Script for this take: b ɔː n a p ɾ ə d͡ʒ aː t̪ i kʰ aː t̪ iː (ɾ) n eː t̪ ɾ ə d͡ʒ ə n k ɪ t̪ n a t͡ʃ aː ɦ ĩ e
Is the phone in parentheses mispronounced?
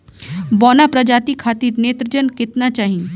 no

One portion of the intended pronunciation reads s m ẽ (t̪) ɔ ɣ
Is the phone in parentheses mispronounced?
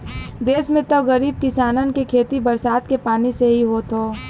no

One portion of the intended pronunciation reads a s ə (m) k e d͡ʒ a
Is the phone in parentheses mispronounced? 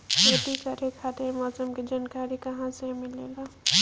no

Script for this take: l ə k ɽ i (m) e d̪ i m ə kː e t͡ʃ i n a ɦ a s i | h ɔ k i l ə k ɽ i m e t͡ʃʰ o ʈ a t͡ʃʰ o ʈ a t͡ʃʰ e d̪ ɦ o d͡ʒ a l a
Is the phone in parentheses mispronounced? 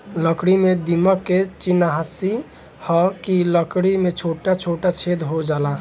no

